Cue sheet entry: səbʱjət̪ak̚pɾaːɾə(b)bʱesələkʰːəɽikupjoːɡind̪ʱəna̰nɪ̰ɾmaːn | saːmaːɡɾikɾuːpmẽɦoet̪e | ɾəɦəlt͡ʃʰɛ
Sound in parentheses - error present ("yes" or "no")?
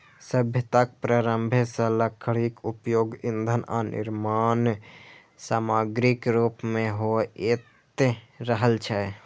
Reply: yes